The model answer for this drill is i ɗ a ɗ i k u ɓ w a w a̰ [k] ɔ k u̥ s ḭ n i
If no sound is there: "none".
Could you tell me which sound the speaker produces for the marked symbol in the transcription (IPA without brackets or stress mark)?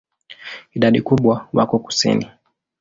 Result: k